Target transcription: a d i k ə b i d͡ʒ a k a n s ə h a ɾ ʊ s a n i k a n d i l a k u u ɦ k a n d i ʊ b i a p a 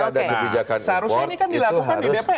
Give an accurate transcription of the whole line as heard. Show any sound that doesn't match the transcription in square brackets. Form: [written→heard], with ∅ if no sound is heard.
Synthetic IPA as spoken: a d [i→a] k ə b i d͡ʒ a k a n s ə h a ɾ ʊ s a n i k a n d i l a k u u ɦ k a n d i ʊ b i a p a